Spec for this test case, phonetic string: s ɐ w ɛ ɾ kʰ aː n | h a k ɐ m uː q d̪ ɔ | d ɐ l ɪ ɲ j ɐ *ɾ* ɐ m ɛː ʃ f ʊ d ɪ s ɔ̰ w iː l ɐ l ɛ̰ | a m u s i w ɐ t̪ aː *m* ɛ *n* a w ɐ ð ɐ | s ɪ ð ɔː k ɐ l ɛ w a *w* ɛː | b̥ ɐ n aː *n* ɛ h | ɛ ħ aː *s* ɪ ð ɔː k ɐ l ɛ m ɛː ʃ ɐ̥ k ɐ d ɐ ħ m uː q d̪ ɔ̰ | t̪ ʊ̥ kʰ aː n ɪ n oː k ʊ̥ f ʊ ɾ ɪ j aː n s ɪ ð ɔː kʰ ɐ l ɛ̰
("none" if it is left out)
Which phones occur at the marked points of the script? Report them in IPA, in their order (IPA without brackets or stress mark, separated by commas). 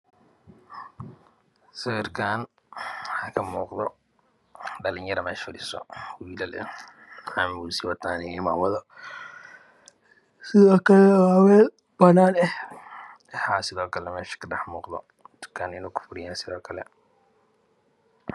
ɾ, n, m, w, n, s